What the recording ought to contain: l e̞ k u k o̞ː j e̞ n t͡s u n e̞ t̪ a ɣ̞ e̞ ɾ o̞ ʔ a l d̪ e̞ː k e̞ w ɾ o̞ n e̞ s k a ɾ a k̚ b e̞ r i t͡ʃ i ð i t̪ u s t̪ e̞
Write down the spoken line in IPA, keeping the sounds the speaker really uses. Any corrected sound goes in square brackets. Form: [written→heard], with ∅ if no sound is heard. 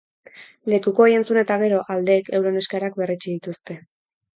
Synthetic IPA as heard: l e̞ k u k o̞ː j e̞ n t͡s u n e̞ t̪ a ɣ̞ e̞ ɾ o̞ ʔ a l d̪ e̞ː k e̞ w ɾ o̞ n e̞ s k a ɾ a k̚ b e̞ r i t͡ʃ i ð i t̪ u s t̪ e̞